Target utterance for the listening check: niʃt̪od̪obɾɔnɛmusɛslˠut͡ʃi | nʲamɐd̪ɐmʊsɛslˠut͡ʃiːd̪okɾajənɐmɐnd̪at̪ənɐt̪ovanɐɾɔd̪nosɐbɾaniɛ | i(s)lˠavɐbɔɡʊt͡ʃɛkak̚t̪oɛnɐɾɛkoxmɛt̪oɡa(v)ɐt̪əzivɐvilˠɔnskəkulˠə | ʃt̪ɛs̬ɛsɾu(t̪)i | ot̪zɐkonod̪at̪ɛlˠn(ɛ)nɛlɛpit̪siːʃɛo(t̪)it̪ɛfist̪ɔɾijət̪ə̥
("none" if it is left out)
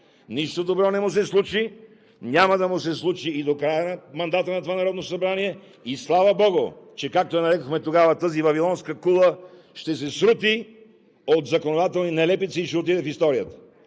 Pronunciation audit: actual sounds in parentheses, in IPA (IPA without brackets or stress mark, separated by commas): s, v, t̪, i, t̪